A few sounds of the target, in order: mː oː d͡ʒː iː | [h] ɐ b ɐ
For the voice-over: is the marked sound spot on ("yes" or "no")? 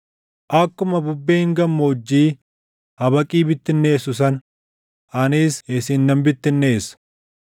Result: yes